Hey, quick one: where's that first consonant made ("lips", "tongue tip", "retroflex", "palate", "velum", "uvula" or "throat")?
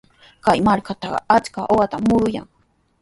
velum